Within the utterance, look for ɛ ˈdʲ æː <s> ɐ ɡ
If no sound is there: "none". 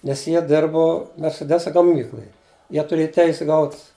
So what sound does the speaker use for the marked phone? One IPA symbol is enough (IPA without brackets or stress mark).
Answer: s